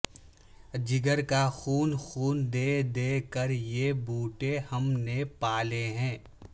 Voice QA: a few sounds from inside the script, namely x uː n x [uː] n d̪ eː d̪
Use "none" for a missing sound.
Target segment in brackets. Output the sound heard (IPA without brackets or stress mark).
uː